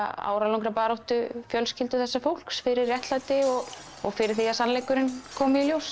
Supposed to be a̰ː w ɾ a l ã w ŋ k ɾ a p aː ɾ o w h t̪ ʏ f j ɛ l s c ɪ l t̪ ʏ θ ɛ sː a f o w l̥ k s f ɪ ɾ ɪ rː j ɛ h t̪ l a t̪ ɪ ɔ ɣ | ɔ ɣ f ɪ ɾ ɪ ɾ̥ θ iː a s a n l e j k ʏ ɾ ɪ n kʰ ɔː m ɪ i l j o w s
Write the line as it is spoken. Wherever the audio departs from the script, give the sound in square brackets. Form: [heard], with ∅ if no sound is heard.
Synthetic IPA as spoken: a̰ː w ɾ a l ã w ŋ k ɾ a p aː ɾ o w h t̪ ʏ f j [œ] l s c ɪ l t̪ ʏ θ ɛ sː a f o w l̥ k s f ɪ ɾ ɪ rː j ɛ h t̪ l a t̪ ɪ ɔ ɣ | ɔ ɣ f ɪ ɾ ɪ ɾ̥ θ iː a s a n l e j k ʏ ɾ ɪ n kʰ ɔː m ɪ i l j o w s